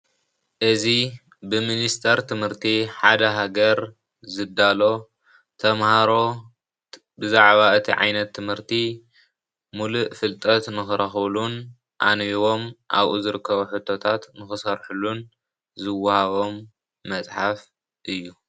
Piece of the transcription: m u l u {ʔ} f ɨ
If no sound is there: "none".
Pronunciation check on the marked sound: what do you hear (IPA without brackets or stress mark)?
ʔ